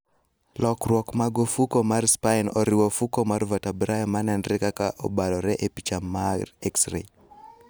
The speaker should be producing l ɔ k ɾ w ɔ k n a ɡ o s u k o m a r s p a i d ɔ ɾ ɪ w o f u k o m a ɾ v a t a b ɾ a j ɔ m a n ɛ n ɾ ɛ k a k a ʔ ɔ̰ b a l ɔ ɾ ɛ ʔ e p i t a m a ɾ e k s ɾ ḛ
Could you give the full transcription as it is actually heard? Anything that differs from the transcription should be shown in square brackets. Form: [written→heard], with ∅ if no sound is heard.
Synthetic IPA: l ɔ k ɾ w ɔ k [n→m] a ɡ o [s→f] u k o m a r s p a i [d→n] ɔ ɾ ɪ w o f u k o m a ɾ v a t a b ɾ a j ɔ m a n ɛ n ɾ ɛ k a k a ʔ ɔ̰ b a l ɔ ɾ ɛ ʔ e p i [t→t͡ʃ] a m a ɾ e k s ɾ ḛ